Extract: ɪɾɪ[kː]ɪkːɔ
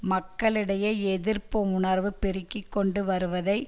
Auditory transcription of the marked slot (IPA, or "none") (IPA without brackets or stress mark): kː